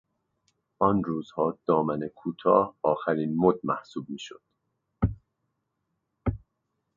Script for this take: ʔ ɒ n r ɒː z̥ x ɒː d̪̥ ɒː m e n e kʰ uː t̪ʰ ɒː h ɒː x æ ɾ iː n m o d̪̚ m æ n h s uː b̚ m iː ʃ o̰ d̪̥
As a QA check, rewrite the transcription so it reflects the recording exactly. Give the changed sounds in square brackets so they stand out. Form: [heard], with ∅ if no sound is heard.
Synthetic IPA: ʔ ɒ n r [uː] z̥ [h] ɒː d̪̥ ɒː m [æ] n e kʰ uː t̪ʰ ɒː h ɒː x æ ɾ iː n m o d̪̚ m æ [∅] h s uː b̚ m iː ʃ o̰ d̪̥

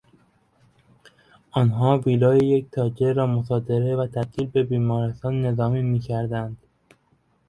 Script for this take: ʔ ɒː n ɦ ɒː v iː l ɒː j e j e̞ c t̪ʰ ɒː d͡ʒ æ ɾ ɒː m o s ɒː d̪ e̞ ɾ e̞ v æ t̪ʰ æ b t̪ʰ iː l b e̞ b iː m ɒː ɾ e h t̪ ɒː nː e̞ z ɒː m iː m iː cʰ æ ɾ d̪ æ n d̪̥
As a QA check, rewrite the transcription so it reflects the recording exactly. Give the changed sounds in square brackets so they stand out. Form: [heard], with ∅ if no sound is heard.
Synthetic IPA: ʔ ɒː n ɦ ɒː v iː l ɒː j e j e̞ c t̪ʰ ɒː d͡ʒ [e] ɾ ɒː m o s ɒː d̪ e̞ ɾ e̞ v æ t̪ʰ æ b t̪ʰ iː l b e̞ b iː m ɒː ɾ e [s] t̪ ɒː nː e̞ z ɒː m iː m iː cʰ æ ɾ d̪ æ n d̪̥

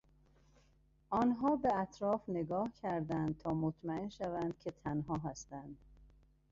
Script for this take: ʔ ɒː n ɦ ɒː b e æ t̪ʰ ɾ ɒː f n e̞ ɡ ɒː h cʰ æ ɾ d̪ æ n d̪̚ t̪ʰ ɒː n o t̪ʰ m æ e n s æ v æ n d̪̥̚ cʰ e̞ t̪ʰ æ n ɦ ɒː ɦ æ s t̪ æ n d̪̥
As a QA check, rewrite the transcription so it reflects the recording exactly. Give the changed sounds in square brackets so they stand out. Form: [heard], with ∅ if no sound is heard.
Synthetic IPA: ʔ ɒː n ɦ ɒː b e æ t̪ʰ ɾ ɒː f n e̞ ɡ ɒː h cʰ æ ɾ d̪ æ n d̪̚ t̪ʰ ɒː [m] o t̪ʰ m æ e n [ʃ] æ v æ n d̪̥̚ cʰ e̞ t̪ʰ æ n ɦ ɒː ɦ æ s t̪ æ n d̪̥

